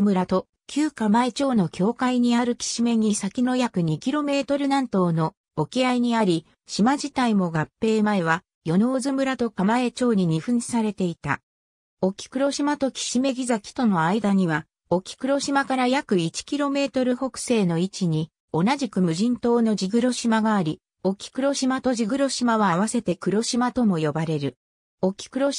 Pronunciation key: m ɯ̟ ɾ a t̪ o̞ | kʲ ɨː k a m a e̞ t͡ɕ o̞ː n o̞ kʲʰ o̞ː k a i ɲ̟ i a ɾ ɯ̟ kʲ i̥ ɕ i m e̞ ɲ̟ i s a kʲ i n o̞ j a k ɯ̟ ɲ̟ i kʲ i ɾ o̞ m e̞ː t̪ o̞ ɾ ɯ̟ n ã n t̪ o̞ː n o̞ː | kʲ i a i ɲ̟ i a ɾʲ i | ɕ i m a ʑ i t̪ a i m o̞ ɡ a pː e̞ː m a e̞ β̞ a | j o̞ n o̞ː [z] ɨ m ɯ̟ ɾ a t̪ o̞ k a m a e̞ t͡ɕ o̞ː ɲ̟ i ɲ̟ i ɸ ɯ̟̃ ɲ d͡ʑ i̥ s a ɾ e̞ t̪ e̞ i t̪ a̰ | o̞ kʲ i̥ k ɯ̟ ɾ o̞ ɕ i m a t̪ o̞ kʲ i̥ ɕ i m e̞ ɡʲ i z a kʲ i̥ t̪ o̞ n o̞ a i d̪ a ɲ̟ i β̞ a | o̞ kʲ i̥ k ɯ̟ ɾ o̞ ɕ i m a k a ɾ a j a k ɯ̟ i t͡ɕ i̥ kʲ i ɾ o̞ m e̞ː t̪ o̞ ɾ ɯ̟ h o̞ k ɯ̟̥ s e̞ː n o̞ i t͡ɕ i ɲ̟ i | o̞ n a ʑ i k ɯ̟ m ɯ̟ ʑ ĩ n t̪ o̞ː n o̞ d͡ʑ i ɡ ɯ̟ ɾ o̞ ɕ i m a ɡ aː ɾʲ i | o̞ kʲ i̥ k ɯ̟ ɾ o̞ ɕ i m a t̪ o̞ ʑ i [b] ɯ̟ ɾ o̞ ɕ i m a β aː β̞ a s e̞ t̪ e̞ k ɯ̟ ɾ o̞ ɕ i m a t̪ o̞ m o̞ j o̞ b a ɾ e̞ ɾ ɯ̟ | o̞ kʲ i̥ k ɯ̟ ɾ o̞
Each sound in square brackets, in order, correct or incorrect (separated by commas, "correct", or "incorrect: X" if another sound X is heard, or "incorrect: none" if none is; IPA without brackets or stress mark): correct, incorrect: ɡ